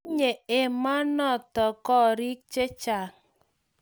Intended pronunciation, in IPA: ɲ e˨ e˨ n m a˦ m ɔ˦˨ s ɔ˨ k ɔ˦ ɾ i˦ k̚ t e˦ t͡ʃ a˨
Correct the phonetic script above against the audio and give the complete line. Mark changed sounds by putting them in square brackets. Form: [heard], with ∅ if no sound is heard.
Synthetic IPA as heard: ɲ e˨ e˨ [∅] m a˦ [n] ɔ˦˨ [t] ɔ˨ k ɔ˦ ɾ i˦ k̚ [t͡ʃ] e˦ t͡ʃ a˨